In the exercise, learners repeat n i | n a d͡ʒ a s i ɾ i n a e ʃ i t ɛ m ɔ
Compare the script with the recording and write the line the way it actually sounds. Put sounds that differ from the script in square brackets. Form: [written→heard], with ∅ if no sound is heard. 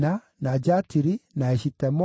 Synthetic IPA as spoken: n [i→a] | n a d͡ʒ a [s→t] i ɾ i n a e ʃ i t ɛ m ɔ